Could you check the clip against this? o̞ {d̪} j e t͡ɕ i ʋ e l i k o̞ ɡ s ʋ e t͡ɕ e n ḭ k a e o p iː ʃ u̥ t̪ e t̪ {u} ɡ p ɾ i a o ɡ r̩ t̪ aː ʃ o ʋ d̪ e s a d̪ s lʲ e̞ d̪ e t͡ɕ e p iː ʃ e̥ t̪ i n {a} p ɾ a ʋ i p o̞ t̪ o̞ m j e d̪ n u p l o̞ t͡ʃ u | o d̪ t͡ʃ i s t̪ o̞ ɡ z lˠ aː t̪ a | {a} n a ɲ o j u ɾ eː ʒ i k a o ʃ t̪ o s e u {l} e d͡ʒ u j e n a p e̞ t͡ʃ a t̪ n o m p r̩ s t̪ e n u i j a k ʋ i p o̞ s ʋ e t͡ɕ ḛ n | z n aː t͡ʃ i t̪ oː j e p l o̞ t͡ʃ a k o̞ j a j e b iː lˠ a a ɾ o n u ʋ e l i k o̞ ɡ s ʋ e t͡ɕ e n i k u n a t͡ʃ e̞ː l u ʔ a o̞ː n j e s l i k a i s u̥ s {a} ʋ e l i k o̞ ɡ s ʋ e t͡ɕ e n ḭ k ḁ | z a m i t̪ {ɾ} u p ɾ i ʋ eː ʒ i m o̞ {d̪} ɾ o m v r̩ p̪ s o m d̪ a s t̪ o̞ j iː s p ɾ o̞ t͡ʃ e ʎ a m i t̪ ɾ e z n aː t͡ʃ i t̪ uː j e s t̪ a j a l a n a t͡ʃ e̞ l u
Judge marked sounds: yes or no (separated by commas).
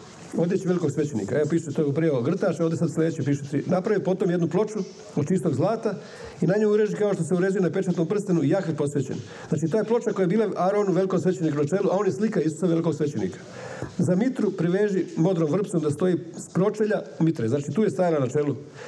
yes, no, yes, no, no, yes, yes, yes